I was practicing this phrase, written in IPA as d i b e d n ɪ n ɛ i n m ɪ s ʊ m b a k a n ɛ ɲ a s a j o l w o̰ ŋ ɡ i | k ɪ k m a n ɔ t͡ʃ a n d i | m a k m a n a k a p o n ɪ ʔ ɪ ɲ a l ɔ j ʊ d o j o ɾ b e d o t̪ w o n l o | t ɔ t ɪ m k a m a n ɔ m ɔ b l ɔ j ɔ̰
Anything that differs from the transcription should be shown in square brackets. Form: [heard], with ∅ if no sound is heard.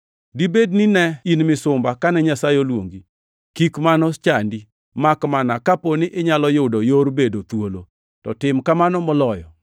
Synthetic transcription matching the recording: d i b e d n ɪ n ɛ i n m ɪ s ʊ m b a k a n ɛ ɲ a s a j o l w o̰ ŋ ɡ i | k [i] k m a n ɔ t͡ʃ a n d i | m a k m a n a k a p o n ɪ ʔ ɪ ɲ a l ɔ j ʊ d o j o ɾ b e d o t̪ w o [∅] l o | t ɔ t ɪ m k a m a n ɔ m ɔ [∅] l ɔ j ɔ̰